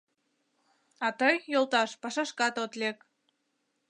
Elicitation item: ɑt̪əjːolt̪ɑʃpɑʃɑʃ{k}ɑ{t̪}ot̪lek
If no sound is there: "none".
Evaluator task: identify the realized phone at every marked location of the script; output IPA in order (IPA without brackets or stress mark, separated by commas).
k, t̪